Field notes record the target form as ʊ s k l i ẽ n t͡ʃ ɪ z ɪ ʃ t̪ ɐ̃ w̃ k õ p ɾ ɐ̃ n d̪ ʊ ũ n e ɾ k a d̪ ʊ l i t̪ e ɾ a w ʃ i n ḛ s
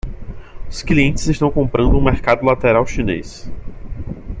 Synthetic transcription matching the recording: ʊ s k l i ẽ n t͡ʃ ɪ z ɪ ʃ t̪ ɐ̃ w̃ k õ p ɾ ɐ̃ n d̪ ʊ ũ m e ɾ k a d̪ ʊ l a t̪ e ɾ a w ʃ i n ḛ s